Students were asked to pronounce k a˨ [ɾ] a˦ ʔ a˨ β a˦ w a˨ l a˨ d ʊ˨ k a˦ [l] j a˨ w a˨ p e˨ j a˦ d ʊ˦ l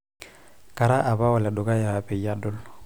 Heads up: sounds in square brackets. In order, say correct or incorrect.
correct, incorrect

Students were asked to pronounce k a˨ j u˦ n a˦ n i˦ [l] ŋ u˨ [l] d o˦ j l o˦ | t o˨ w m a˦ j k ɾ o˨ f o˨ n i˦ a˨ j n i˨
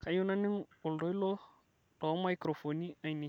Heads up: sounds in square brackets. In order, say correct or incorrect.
incorrect, correct

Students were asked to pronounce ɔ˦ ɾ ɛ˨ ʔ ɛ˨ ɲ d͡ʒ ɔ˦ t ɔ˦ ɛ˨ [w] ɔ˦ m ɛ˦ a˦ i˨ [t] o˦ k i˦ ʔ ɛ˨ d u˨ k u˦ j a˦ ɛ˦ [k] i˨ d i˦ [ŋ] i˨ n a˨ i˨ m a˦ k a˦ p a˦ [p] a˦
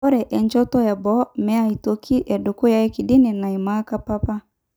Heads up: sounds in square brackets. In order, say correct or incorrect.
incorrect, correct, correct, incorrect, correct

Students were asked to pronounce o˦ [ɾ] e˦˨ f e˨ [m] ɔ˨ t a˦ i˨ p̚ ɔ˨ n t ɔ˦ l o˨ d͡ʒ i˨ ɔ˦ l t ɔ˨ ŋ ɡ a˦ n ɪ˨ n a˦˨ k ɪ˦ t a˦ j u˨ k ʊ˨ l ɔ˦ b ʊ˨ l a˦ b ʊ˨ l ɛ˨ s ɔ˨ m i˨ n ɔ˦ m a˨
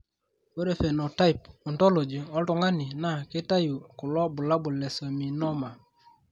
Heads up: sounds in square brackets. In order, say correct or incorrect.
correct, incorrect

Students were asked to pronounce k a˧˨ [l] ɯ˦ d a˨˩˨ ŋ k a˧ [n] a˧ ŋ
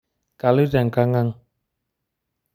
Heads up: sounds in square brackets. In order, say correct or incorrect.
correct, incorrect

